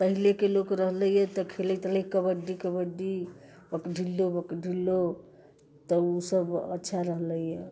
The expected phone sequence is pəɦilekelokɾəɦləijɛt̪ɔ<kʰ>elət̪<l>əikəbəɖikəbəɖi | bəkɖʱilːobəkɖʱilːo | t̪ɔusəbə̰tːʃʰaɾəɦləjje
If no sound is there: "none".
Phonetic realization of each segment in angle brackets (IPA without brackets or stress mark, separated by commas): kʰ, l